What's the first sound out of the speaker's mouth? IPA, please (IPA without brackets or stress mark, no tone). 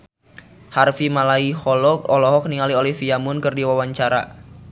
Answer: h